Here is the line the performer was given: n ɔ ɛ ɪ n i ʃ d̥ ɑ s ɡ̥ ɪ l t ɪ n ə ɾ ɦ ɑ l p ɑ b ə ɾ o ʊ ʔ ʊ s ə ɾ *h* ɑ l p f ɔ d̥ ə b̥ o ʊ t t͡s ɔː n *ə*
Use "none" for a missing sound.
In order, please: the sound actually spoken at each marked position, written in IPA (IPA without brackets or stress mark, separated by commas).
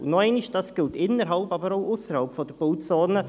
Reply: h, ə